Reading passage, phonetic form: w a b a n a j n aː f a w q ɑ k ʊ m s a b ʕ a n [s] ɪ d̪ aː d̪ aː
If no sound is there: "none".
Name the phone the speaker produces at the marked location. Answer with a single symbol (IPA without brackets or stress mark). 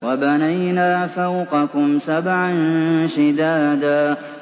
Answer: ʃ